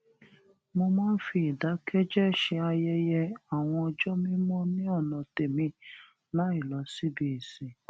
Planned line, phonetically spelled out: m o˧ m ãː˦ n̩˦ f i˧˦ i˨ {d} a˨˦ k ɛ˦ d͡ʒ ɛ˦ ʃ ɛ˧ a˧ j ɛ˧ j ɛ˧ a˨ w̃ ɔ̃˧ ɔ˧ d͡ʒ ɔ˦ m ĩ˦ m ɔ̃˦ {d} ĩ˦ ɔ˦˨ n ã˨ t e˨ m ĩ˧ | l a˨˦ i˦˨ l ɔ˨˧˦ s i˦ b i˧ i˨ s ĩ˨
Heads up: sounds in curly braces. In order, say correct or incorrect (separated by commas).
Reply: correct, incorrect